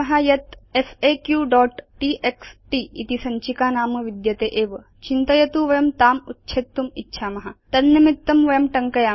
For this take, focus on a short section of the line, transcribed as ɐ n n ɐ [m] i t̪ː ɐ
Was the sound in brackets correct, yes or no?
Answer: yes